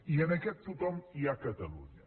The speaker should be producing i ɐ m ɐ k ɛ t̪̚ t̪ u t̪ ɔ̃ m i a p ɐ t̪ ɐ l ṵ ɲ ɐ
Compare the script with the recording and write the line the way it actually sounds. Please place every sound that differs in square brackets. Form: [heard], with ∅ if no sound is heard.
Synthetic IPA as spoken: i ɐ [n] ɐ k ɛ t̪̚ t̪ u t̪ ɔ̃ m i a [k] ɐ t̪ ɐ l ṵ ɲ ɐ